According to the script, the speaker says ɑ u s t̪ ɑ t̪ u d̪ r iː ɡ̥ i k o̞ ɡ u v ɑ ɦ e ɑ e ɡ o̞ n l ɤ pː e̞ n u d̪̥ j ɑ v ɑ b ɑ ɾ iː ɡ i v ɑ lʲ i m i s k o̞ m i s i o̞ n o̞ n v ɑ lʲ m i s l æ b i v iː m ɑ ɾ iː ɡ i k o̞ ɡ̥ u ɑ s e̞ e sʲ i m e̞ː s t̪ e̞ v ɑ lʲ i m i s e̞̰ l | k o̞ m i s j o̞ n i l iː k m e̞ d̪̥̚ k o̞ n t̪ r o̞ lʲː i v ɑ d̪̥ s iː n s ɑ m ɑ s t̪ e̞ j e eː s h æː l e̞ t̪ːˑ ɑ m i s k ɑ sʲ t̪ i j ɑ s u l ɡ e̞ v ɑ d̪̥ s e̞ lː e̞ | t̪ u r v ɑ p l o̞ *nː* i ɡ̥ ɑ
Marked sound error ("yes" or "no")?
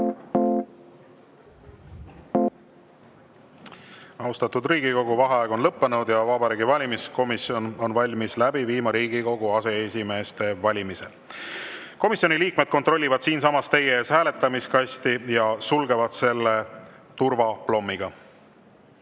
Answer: yes